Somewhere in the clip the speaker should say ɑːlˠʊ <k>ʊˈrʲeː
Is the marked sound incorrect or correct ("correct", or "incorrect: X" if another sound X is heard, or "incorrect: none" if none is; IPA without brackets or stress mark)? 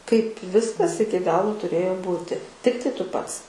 incorrect: t